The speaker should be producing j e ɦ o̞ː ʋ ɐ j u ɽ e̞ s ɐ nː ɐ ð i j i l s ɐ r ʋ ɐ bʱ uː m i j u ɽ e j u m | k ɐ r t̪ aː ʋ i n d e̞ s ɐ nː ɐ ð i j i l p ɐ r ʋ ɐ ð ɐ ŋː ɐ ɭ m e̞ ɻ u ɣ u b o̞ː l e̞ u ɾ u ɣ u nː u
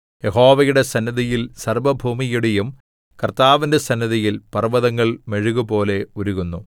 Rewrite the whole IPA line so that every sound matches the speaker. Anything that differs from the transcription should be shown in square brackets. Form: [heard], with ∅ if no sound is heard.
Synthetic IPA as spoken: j e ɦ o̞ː ʋ ɐ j u ɽ e̞ s ɐ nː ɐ ð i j i l s ɐ r ʋ ɐ bʱ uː m i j u ɽ e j u m | k ɐ r t̪ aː ʋ i n d e̞ s ɐ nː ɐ ð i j i l p ɐ r ʋ ɐ ð ɐ ŋː ɐ ɭ m e̞ ɻ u ɣ u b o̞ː l e̞ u ɾ u ɣ u nː u